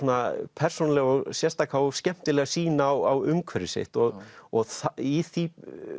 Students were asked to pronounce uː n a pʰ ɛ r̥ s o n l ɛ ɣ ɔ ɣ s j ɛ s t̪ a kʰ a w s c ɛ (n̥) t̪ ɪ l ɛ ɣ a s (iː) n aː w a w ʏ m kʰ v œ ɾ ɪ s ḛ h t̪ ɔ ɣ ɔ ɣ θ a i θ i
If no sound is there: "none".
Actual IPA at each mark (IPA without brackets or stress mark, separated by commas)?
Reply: m̥, iː